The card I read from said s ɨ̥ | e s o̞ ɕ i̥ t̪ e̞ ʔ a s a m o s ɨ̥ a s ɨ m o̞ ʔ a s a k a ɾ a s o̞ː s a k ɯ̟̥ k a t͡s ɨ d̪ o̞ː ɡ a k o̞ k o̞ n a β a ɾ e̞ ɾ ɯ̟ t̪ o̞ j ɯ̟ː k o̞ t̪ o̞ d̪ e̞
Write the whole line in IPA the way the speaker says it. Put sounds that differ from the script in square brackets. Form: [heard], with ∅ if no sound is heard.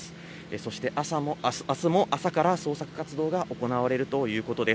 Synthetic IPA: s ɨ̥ | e s o̞ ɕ i̥ t̪ e̞ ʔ a s a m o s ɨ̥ a s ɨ m o̞ ʔ a s a k a ɾ a s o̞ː s a k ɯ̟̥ k a t͡s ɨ d̪ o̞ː ɡ a [ʔ] o̞ k o̞ n a β a ɾ e̞ ɾ ɯ̟ t̪ o̞ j ɯ̟ː k o̞ t̪ o̞ d̪ e̞